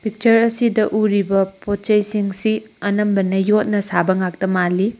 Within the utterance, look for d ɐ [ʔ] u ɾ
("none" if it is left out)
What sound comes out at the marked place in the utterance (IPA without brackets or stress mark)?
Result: ʔ